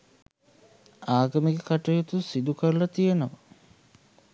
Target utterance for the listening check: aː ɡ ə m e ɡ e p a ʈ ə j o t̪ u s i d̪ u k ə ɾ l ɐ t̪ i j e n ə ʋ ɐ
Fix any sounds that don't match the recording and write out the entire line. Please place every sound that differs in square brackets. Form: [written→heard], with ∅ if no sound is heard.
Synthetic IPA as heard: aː ɡ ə m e ɡ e [p→k] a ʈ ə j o t̪ u s i d̪ u k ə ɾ l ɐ t̪ i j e n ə ʋ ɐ